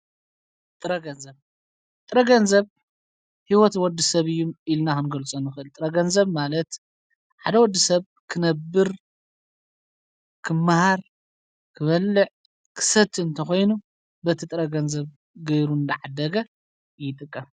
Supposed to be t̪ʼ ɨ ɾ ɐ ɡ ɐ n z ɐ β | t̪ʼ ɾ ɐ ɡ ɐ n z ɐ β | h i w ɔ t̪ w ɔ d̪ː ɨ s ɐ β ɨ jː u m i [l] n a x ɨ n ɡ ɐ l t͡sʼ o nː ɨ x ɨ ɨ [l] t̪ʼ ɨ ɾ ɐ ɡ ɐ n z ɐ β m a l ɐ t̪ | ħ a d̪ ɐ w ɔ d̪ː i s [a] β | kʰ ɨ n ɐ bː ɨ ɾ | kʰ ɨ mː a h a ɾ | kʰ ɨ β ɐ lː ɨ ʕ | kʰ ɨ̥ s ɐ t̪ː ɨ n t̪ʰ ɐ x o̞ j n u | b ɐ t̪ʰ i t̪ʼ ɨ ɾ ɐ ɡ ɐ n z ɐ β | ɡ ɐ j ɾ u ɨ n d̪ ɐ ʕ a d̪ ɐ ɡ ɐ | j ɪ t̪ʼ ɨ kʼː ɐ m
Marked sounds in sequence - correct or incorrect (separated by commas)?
correct, correct, incorrect